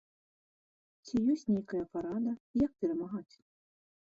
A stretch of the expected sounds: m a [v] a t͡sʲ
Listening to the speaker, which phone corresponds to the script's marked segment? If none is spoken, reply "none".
ɣ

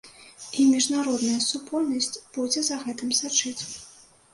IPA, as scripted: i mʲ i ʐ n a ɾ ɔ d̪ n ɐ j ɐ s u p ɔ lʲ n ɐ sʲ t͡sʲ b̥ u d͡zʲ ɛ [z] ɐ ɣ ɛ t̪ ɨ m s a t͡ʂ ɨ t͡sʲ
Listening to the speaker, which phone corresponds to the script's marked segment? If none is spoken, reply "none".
z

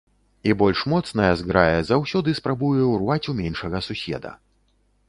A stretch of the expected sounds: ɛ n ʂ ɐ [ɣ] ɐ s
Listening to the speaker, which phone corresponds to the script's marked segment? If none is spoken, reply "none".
ɣ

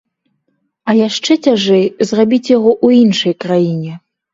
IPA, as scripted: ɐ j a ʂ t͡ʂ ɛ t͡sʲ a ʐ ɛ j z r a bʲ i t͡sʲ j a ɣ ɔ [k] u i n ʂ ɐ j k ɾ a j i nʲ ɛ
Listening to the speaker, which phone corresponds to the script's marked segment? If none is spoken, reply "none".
ʔ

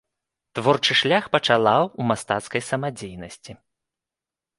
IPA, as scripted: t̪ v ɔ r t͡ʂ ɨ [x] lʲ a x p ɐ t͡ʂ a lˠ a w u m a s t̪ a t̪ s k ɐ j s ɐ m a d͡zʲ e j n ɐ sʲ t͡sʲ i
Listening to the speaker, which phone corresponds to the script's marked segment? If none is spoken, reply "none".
ʂ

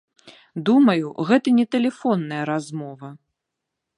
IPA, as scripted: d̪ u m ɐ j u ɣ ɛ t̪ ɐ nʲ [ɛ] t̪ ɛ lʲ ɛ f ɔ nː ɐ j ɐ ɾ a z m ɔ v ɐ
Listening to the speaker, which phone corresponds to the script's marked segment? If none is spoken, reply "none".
ɛ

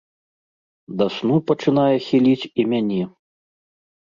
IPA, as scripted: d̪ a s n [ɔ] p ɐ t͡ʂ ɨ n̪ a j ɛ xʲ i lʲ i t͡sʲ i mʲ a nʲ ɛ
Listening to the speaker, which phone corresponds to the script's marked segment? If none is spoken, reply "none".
u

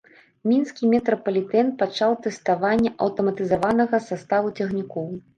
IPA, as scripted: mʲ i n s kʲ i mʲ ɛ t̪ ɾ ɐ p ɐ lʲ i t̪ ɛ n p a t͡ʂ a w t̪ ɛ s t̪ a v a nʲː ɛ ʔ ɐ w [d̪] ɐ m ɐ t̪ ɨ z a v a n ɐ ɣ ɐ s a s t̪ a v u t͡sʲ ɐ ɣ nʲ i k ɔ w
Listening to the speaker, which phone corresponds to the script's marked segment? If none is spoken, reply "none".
t̪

